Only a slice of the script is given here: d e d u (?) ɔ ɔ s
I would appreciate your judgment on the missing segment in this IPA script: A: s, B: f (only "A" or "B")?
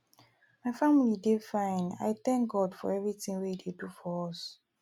B